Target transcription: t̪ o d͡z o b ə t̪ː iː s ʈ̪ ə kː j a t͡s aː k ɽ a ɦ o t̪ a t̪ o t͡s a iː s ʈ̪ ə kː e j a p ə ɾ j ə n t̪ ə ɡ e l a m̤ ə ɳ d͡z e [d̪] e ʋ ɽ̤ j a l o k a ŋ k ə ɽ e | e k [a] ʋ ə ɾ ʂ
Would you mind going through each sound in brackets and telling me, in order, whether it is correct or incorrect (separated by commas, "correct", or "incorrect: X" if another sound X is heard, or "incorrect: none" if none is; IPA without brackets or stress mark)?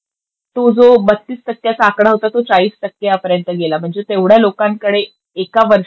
incorrect: t̪, correct